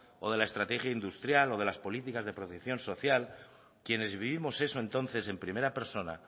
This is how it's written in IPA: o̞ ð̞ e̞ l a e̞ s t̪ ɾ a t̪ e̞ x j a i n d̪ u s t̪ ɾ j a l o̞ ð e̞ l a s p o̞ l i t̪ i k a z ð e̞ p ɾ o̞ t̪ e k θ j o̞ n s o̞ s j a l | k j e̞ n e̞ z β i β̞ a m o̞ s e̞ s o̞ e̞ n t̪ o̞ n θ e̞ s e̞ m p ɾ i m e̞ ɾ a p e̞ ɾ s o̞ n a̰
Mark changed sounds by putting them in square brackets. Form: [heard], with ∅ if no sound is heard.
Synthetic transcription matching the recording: o̞ ð̞ e̞ l a e̞ s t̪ ɾ a t̪ e̞ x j a i n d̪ u s t̪ ɾ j a l o̞ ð e̞ l a s p o̞ l i t̪ i k a z ð e̞ p ɾ o̞ t̪ e k θ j o̞ n s o̞ [θ] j a l | k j e̞ n e̞ z β i β̞ [i] m o̞ s e̞ s o̞ e̞ n t̪ o̞ n θ e̞ s e̞ m p ɾ i m e̞ ɾ a p e̞ ɾ s o̞ n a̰

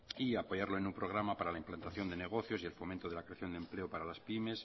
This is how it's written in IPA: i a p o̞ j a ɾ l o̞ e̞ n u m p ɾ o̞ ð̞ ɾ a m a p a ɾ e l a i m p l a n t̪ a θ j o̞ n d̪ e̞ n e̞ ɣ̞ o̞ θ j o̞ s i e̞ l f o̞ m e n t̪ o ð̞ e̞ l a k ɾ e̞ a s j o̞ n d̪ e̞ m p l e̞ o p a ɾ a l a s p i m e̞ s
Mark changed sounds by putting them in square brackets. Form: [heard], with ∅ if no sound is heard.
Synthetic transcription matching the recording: i a p o̞ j a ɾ l o̞ e̞ n u m p ɾ o̞ [ɣ̞] ɾ a m a p a ɾ [a] l a i m p l a n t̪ a θ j o̞ n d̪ e̞ n e̞ ɣ̞ o̞ θ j o̞ s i e̞ l f o̞ m e n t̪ o ð̞ e̞ l a k ɾ e̞ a [θ] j o̞ n d̪ e̞ m p l e̞ o p a ɾ a l a s p i m e̞ s

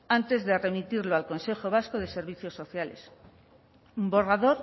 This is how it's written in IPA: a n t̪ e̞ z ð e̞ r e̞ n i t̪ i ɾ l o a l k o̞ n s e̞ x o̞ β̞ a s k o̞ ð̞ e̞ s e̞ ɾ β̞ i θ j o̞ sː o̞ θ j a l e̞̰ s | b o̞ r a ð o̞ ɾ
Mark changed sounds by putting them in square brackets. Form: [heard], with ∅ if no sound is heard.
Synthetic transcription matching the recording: a n t̪ e̞ z ð e̞ r e̞ [m] i t̪ i ɾ l o a l k o̞ n s e̞ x o̞ β̞ a s k o̞ ð̞ e̞ s e̞ ɾ β̞ i θ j o̞ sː o̞ θ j a l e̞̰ s | b o̞ r a ð o̞ ɾ

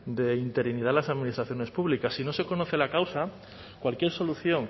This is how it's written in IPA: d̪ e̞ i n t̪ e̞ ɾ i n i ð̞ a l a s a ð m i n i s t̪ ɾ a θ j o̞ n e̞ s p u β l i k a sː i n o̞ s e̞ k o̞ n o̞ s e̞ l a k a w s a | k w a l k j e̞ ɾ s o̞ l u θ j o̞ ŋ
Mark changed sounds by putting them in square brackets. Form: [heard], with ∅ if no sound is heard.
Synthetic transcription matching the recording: d̪ e̞ i n t̪ e̞ ɾ i n i ð̞ a l a s a ð m i n i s t̪ ɾ a θ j o̞ n e̞ s p u β l i k a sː i n o̞ s e̞ k o̞ n o̞ [θ] e̞ l a k a w s a | k w a l k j e̞ ɾ s o̞ l u θ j o̞ ŋ

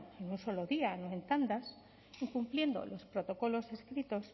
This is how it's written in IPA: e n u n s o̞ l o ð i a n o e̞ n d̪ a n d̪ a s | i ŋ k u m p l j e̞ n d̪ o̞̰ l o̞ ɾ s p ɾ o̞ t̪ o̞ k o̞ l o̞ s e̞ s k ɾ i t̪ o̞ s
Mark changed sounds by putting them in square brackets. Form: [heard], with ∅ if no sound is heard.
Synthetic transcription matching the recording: e n u n s o̞ l o ð i a n o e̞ n [t̪] a n d̪ a s | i ŋ k u m p l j e̞ n d̪ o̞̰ l o̞ [∅] s p ɾ o̞ t̪ o̞ k o̞ l o̞ s e̞ s k ɾ i t̪ o̞ s

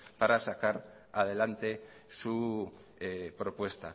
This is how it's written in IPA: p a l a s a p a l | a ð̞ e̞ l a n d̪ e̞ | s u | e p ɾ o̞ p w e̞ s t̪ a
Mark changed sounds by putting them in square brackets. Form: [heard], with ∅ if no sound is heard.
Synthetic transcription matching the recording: p a [ɾ] a s a [k] a [ɾ] | a ð̞ e̞ l a n [t̪] e̞ | s u | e p ɾ o̞ p w e̞ s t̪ a

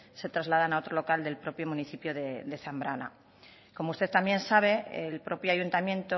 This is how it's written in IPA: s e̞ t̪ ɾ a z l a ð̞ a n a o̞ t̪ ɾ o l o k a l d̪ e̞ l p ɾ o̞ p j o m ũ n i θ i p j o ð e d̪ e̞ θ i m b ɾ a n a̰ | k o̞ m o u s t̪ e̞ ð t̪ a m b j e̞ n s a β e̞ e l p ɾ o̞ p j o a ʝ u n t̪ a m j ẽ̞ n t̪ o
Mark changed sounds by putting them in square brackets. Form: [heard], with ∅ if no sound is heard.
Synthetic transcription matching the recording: s e̞ t̪ ɾ a z l a ð̞ a n a o̞ t̪ ɾ o l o k a l d̪ e̞ l p ɾ o̞ p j o m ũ n i θ i p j o ð e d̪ e̞ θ [a] m b ɾ a n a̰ | k o̞ m o u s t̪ e̞ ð t̪ a m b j e̞ n s a β e̞ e l p ɾ o̞ p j o a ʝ u n t̪ a m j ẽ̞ n t̪ o

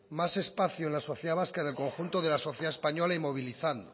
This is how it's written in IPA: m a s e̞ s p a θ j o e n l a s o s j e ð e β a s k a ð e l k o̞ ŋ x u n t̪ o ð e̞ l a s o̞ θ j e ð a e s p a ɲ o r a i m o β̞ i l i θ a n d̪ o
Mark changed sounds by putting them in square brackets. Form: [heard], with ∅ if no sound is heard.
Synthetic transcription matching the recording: m a s e̞ s p a θ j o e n l a s o [θ] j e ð [a] β a s k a ð e l k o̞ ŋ x u n t̪ o ð e̞ l a s o̞ θ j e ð a e s p a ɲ o [l] a i m o β̞ i l i θ a n d̪ o

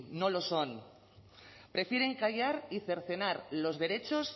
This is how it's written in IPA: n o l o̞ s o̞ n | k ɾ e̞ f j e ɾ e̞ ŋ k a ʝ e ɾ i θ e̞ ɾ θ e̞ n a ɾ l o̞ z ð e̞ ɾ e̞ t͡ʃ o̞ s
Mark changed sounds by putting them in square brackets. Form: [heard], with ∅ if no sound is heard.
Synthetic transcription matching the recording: n o l o̞ s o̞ n | [p] ɾ e̞ f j e ɾ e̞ ŋ k a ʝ [a] ɾ i θ e̞ ɾ θ e̞ n a ɾ l o̞ z ð e̞ ɾ e̞ t͡ʃ o̞ s

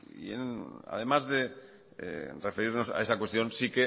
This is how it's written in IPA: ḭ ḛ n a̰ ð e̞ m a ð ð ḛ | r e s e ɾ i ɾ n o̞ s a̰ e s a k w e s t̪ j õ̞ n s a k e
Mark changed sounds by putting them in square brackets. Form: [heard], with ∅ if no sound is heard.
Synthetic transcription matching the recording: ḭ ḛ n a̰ ð e̞ m a [z] ð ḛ | r e [f] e ɾ i ɾ n o̞ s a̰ e s a k w e s t̪ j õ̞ n s [i] k e

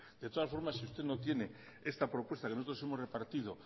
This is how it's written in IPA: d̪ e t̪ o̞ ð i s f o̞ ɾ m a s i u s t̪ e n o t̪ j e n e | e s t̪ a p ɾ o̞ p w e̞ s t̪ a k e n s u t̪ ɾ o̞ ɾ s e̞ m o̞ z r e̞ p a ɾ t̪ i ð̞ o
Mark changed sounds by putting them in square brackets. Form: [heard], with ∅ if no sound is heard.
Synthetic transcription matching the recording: d̪ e t̪ o̞ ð [a] s f o̞ ɾ m a s i u s t̪ e n o t̪ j e n e | e s t̪ a p ɾ o̞ p w e̞ s t̪ a k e n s [o] t̪ ɾ o̞ [∅] s e̞ m o̞ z r e̞ p a ɾ t̪ i ð̞ o

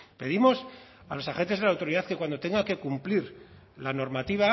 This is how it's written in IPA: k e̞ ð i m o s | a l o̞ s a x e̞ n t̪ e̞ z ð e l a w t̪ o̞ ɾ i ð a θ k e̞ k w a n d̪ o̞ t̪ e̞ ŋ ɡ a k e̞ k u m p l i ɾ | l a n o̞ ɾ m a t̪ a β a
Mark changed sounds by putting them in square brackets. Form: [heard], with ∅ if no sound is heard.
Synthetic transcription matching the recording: [p] e̞ ð i m o s | a l o̞ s a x e̞ n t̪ e̞ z ð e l a w t̪ o̞ ɾ i ð a θ k e̞ k w a n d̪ o̞ t̪ e̞ ŋ ɡ a k e̞ k u m p l i ɾ | l a n o̞ ɾ m a t̪ [i] β a

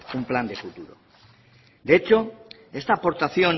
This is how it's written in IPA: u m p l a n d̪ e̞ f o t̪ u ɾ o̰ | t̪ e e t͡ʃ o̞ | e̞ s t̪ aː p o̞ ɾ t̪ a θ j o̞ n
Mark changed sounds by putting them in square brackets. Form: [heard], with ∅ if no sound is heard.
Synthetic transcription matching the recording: u m p l a n d̪ e̞ f [u] t̪ u ɾ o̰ | [d̪] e e t͡ʃ o̞ | e̞ s t̪ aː p o̞ ɾ t̪ a θ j o̞ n

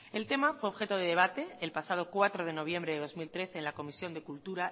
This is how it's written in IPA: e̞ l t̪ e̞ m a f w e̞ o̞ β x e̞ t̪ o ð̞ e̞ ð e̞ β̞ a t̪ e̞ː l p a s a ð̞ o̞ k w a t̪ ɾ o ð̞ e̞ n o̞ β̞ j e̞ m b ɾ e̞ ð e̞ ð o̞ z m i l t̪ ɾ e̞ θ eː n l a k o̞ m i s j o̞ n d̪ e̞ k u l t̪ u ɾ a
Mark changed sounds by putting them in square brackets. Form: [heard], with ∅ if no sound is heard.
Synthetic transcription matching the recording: e̞ l t̪ e̞ m a f w e̞ o̞ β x e̞ t̪ o ð̞ e̞ ð e̞ β̞ a t̪ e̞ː l p a s a ð̞ o̞ k w a t̪ ɾ o ð̞ e̞ n o̞ β̞ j e̞ m b ɾ e̞ ð e̞ ð o̞ z m i l t̪ ɾ e̞ θ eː n l a k o̞ m i s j o̞ n d̪ e̞ k u l t̪ u ɾ a

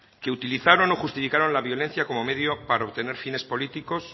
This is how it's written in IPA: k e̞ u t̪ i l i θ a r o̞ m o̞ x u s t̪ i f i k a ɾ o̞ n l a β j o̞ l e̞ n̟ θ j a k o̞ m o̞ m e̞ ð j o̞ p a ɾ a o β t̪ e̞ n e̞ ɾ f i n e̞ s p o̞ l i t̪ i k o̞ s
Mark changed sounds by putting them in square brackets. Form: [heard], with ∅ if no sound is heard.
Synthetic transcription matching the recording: k e̞ u t̪ i l i θ a [ɾ] o̞ [n] o̞ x u s t̪ i f i k a ɾ o̞ n l a β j o̞ l e̞ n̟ θ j a k o̞ m o̞ m e̞ ð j o̞ p a ɾ a o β t̪ e̞ n e̞ ɾ f i n e̞ s p o̞ l i t̪ i k o̞ s

